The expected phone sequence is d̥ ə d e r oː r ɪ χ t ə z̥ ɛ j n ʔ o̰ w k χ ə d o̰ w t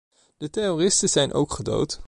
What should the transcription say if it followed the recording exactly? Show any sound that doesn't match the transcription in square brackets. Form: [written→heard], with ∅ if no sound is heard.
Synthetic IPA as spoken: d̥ ə [d→t] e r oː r ɪ [χ→s] t ə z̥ ɛ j n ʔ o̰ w k χ ə d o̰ w t